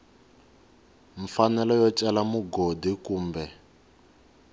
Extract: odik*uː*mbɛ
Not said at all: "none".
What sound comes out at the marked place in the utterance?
uː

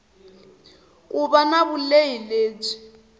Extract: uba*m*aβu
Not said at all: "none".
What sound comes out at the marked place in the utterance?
n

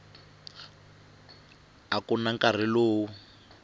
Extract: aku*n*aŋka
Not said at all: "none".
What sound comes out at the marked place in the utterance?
n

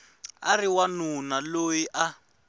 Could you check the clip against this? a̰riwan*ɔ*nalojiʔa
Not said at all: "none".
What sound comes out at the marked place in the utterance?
u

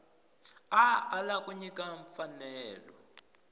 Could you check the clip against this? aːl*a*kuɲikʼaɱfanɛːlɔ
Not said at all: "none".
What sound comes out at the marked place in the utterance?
a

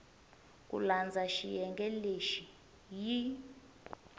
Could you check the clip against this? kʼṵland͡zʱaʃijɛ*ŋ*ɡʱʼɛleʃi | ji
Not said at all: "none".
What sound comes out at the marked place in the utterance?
ŋ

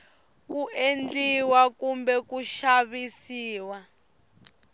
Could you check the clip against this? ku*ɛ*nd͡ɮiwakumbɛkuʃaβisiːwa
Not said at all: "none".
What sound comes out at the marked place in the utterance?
e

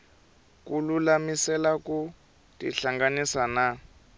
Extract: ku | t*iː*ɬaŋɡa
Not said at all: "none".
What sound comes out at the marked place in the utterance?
i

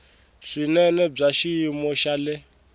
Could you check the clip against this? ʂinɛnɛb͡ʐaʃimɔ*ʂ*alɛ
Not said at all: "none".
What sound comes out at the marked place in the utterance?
ʃ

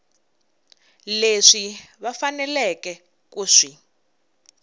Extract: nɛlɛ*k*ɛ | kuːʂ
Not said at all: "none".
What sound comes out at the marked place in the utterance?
k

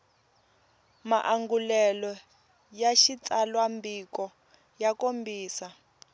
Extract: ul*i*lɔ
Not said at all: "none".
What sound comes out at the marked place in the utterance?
ɛ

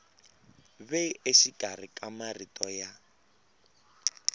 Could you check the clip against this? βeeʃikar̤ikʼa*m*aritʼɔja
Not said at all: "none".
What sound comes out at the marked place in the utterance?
m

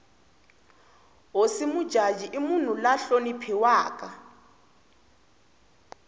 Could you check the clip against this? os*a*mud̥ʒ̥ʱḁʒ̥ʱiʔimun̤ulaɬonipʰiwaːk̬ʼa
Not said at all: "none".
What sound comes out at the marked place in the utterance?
i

